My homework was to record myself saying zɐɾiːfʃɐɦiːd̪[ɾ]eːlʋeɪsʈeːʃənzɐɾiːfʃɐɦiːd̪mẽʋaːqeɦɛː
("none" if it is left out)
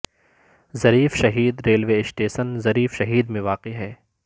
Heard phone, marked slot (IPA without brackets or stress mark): ɾ